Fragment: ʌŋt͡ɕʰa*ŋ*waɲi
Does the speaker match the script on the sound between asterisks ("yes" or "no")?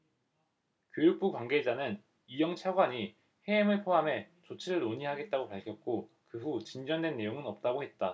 no